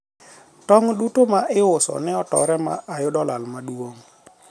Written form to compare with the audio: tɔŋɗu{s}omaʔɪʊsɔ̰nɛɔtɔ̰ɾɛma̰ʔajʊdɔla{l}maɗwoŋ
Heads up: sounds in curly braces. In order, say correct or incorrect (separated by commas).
incorrect, correct